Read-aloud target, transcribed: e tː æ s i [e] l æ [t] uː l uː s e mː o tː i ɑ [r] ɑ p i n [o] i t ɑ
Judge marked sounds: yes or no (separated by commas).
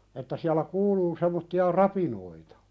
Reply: no, no, yes, yes